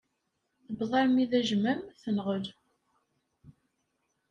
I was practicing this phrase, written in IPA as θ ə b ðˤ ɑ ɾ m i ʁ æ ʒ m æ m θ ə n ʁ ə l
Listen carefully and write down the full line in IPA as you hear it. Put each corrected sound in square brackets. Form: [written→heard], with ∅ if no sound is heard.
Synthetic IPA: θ ə b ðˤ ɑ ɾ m i [ʁ→ð] æ ʒ m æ m θ ə n ʁ ə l